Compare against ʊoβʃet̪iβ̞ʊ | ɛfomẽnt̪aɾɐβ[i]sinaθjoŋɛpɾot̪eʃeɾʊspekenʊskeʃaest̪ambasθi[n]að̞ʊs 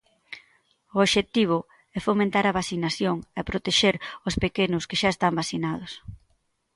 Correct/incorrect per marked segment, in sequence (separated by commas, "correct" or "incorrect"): incorrect, correct